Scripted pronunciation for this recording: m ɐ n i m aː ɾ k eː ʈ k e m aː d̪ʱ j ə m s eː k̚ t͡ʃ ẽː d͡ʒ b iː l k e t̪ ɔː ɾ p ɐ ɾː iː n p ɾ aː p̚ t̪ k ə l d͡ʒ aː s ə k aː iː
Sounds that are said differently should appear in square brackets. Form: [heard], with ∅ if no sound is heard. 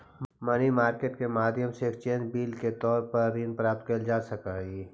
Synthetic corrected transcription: m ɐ n i m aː ɾ k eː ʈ k e m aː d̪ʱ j ə m s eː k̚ t͡ʃ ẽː d͡ʒ b iː l k e t̪ ɔː ɾ p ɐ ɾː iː n p ɾ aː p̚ t̪ k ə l d͡ʒ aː s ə k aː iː